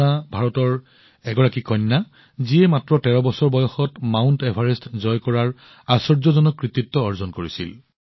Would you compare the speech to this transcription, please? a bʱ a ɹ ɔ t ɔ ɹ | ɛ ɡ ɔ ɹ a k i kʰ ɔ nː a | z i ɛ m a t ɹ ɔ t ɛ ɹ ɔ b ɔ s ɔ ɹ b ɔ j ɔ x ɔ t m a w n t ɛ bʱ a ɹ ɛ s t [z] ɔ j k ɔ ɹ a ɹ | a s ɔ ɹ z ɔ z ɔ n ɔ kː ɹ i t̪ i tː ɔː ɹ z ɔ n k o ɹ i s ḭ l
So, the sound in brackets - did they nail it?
yes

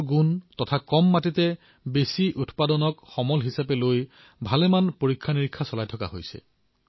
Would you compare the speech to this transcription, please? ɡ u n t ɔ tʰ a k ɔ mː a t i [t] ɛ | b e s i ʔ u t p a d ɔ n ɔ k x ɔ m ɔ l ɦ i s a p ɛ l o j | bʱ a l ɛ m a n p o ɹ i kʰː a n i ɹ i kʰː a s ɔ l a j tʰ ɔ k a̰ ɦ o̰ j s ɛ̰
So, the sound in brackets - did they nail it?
yes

